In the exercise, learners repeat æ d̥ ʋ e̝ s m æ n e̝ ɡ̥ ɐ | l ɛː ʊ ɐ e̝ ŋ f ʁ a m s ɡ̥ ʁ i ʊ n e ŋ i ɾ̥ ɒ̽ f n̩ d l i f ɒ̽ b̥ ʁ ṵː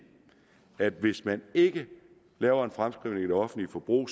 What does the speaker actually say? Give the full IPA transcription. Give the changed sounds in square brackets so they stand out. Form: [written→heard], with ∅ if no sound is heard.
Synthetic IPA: æ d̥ ʋ e̝ s m æ n e̝ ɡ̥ [ɐ→ə] | l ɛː ʊ ɐ e̝ [ŋ→n] f ʁ a m s ɡ̥ ʁ i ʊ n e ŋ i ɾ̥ ɒ̽ f n̩ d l i f ɒ̽ b̥ ʁ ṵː